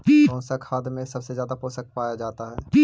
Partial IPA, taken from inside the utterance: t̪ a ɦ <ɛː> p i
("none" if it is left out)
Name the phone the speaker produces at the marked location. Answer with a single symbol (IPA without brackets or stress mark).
ɛː